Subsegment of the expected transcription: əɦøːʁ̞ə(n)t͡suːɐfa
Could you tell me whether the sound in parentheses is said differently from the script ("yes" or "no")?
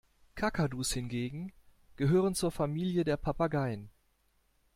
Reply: no